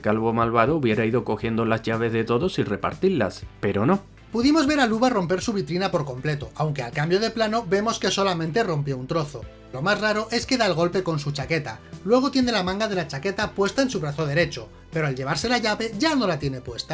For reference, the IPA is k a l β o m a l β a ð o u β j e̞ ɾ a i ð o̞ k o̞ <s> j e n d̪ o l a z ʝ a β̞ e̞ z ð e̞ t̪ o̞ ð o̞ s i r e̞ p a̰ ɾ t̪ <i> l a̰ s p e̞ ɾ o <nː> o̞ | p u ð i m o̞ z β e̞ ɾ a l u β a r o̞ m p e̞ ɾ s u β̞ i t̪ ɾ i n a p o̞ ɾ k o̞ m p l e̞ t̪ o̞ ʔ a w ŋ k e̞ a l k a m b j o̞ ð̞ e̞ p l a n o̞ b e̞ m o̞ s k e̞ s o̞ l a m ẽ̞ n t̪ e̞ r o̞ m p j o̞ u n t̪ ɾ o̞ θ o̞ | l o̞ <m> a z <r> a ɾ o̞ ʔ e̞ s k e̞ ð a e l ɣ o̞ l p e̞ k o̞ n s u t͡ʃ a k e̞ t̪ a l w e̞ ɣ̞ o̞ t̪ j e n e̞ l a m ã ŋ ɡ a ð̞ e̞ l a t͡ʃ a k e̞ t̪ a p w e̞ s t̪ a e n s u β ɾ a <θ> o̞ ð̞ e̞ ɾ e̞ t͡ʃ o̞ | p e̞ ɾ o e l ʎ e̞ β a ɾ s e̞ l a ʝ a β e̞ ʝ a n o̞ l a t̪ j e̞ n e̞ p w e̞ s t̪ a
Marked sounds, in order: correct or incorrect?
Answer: incorrect: x, correct, incorrect: n, correct, correct, correct

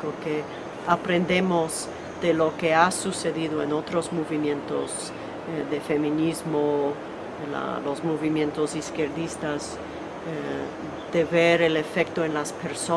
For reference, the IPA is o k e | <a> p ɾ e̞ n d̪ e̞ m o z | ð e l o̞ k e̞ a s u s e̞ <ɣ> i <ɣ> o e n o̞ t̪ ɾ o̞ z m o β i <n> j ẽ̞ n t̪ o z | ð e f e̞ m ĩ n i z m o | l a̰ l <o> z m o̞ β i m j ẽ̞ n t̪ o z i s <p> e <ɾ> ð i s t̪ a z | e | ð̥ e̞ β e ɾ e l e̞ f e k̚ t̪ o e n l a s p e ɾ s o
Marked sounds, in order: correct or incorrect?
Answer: correct, incorrect: ð, incorrect: ð, incorrect: m, correct, incorrect: k, correct

